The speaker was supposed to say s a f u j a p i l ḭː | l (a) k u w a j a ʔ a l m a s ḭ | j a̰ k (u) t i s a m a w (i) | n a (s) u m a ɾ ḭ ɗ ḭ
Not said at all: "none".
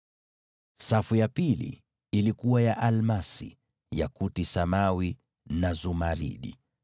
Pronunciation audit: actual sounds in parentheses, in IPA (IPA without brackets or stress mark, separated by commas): i, u, i, z